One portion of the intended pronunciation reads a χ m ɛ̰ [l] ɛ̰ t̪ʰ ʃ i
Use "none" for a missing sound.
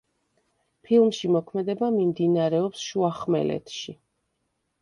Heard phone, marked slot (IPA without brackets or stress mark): l